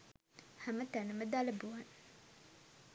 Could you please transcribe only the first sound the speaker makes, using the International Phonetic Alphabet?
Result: h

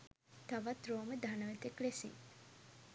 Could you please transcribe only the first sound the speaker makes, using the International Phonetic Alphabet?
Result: t̪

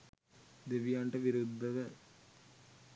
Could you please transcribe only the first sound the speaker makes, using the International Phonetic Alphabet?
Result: d̪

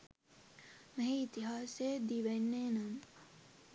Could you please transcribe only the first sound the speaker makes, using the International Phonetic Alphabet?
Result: m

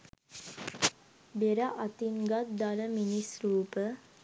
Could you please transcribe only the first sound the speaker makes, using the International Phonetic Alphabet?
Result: b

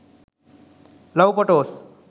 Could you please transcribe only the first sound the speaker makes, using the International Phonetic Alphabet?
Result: l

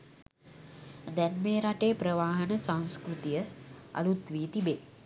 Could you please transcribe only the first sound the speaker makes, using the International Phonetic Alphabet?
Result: d̪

